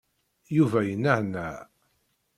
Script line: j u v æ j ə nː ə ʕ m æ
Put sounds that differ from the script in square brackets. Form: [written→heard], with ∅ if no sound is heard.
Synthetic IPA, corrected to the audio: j u v æ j ə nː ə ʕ [m→n] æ